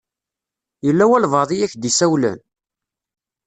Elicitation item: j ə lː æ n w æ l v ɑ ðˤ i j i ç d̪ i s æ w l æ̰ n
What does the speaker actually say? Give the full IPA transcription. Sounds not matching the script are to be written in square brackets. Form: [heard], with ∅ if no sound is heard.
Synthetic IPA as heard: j ə lː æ [∅] w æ l v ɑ ðˤ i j [æ] ç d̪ i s æ w l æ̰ n